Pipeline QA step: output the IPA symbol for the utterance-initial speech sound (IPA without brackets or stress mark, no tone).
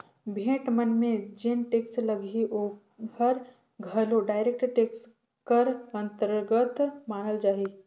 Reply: bʱ